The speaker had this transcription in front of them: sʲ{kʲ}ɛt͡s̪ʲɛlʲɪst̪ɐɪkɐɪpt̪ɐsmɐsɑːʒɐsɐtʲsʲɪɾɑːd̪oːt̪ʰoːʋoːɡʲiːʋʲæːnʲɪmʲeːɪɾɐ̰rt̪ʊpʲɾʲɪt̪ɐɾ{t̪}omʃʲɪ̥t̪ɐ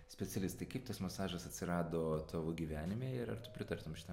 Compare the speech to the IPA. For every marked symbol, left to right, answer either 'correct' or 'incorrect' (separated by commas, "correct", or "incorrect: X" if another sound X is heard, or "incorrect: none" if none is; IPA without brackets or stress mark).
incorrect: pʲ, correct